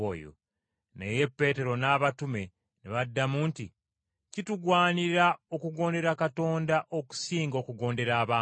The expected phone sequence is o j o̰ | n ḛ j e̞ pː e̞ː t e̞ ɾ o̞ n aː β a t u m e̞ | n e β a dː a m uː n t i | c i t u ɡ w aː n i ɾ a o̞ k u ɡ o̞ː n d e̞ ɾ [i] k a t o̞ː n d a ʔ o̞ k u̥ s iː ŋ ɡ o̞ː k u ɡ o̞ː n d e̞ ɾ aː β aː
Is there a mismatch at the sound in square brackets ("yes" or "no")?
yes